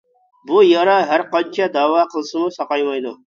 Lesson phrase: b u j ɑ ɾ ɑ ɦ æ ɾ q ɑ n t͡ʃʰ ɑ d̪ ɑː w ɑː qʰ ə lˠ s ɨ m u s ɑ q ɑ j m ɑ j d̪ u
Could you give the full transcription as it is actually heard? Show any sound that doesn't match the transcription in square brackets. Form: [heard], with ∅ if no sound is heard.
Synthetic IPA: b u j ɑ ɾ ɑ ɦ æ ɾ q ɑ n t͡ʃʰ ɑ d̪ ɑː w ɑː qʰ ə lˠ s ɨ m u s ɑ q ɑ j m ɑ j d̪ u